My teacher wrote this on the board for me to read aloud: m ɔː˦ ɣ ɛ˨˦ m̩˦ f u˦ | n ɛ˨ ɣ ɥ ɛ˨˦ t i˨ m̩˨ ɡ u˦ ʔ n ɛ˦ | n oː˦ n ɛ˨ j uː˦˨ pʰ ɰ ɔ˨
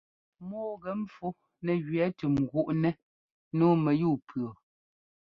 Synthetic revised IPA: m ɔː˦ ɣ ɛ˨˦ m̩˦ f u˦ | n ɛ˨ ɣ ɥ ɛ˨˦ t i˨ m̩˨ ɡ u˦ ʔ n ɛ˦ | n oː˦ m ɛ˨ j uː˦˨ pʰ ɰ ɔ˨